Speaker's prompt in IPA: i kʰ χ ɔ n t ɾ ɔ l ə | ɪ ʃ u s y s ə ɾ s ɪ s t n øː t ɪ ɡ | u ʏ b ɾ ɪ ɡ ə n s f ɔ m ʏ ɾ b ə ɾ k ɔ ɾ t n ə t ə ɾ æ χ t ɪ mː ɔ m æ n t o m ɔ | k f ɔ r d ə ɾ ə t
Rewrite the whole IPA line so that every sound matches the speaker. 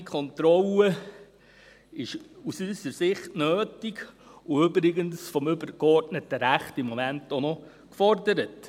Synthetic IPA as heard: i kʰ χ ɔ n t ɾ ɔ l ə | ɪ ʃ u s y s ə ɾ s ɪ χ t n øː t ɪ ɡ | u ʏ b ɾ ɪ ɡ ə n s f ɔ m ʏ b ə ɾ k ɔ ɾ t n ə t ə ɾ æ χ t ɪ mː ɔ m æ n t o n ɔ | k f ɔ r d ə ɾ ə t